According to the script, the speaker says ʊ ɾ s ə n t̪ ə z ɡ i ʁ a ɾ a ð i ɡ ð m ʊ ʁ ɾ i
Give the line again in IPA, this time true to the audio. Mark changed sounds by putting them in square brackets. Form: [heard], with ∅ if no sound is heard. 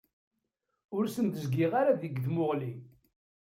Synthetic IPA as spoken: ʊ ɾ s ə n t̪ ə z ɡ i ʁ a ɾ a ð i ɡ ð m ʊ ʁ [l] i